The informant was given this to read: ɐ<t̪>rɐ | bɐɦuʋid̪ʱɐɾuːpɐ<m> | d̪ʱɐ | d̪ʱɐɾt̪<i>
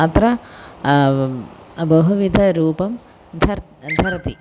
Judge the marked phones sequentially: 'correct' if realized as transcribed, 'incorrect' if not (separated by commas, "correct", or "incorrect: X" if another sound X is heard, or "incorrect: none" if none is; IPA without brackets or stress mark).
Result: correct, correct, correct